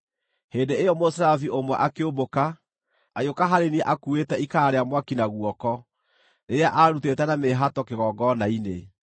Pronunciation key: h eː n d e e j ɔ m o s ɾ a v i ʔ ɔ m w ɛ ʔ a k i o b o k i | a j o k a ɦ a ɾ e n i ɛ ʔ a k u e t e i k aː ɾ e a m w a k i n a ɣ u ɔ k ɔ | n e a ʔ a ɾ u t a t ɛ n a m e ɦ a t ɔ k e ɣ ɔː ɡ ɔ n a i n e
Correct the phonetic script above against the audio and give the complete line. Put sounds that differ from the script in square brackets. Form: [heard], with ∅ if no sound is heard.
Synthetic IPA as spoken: h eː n d e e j ɔ m o s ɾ a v i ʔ [o] m w ɛ ʔ a k [e] o b o k [a] | a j o k a ɦ a ɾ e n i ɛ ʔ a k u e t [ɛ] i k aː ɾ e a m w a k i n a ɣ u ɔ k ɔ | n e a ʔ a ɾ u t [e] t ɛ n a m e ɦ a t ɔ k e ɣ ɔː ɡ ɔ n a i n e